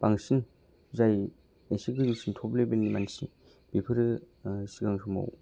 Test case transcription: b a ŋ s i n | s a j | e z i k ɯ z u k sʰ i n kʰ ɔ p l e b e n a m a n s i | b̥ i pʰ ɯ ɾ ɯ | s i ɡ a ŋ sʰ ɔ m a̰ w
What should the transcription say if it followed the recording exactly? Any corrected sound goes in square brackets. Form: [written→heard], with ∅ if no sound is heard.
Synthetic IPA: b a ŋ s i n | [s→z] a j | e [z→s] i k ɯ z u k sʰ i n [kʰ→tʰ] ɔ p l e b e n [a→i] m a n s i | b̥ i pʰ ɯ ɾ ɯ | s i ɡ a ŋ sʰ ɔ m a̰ w